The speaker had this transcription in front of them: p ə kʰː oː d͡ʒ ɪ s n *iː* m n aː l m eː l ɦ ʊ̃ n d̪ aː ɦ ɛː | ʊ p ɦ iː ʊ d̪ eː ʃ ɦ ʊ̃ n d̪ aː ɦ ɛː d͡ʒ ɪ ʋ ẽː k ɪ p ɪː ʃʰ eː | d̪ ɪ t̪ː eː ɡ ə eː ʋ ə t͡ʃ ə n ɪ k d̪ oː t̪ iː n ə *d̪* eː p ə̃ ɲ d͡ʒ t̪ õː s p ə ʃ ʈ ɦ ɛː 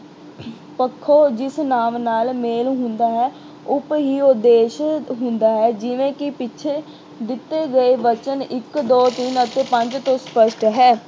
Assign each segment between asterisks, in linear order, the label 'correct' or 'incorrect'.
incorrect, incorrect

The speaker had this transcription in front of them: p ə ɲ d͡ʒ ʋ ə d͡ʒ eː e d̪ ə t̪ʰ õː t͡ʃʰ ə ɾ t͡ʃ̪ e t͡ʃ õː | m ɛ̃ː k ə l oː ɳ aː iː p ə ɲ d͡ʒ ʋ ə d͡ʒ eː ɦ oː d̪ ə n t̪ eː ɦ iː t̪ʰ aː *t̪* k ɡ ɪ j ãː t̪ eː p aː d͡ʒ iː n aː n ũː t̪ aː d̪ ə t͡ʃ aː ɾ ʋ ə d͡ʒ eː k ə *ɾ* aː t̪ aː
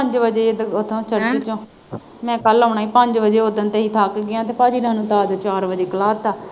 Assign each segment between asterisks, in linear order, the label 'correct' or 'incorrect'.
incorrect, incorrect

